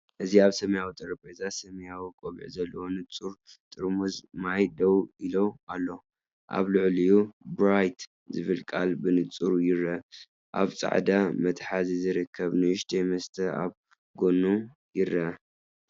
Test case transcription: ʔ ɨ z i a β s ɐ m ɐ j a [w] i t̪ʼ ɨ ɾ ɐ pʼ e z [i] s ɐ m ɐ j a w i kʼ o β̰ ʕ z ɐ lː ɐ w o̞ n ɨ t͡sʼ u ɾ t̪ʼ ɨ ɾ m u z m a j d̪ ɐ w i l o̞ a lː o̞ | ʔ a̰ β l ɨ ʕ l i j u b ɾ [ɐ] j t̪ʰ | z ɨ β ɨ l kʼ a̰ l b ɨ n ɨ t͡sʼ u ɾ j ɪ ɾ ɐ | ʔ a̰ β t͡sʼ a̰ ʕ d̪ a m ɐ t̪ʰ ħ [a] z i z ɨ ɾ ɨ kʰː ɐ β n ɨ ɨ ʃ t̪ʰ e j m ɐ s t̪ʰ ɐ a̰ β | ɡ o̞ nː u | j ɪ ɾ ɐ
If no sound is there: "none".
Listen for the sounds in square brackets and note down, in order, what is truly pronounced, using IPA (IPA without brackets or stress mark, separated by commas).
w, a, a, a